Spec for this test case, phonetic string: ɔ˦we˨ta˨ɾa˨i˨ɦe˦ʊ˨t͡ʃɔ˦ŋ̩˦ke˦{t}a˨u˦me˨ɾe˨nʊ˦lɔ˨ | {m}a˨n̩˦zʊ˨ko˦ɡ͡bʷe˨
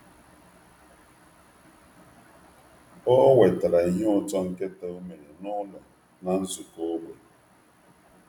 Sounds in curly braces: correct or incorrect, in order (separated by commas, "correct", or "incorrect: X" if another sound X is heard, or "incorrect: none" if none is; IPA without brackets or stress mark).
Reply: correct, incorrect: n